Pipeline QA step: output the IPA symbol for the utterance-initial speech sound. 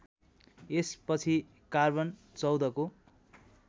e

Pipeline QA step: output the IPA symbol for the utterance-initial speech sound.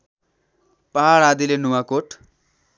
p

